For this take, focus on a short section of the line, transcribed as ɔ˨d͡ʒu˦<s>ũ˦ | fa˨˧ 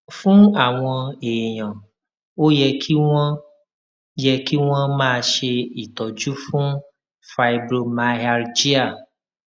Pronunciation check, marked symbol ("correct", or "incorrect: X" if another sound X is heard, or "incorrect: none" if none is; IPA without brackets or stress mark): incorrect: f